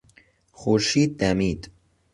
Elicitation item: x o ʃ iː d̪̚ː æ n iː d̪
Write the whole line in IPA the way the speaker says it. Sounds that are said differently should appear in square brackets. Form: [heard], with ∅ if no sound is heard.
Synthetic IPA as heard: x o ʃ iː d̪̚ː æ [m] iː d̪